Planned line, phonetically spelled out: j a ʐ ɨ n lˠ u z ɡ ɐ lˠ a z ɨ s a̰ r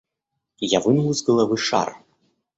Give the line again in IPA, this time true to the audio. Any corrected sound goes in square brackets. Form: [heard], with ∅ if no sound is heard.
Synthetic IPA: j a [v] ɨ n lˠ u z ɡ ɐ lˠ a [v] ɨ [ʂ] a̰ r